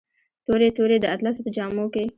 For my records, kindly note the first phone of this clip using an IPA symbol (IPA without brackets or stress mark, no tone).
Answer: t̪